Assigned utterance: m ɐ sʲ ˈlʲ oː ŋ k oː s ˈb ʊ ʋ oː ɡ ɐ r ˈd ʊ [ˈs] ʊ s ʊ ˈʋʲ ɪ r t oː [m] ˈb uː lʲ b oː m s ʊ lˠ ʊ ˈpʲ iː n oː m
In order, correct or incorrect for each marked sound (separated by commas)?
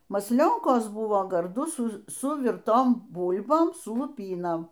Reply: correct, correct